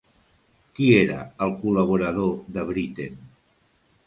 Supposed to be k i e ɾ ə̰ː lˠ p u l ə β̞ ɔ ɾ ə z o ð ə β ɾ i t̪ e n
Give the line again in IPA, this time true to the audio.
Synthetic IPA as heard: k i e ɾ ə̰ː lˠ k u l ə β̞ u ɾ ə ð o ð ə β ɾ i t̪ e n